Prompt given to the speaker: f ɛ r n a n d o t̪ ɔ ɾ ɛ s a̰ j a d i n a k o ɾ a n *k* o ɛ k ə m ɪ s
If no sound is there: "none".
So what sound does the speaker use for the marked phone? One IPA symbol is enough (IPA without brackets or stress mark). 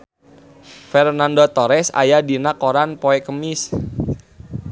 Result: p